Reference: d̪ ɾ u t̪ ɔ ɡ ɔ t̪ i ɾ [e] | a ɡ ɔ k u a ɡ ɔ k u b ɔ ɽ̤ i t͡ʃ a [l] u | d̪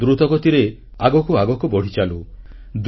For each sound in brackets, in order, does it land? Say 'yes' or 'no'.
yes, yes

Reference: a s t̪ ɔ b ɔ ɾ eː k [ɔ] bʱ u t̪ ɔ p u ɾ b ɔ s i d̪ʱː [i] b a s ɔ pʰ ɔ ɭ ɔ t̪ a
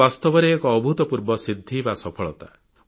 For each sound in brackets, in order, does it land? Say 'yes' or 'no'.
no, yes

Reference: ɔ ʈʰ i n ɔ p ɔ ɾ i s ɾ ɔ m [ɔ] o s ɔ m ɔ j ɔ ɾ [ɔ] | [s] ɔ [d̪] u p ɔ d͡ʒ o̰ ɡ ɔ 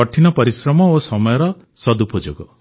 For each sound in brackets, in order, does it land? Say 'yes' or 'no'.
yes, yes, yes, yes

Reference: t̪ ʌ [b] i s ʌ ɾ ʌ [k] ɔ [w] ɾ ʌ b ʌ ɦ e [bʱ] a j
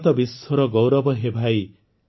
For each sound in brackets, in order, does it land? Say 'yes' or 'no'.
yes, no, yes, yes

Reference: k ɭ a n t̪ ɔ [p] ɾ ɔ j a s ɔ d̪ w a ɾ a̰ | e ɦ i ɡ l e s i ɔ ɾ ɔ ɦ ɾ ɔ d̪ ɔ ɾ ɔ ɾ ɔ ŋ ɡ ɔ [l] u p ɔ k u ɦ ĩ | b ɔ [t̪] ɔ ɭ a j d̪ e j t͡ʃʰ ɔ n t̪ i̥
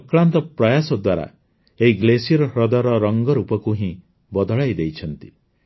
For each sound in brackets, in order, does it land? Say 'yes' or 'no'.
yes, no, no

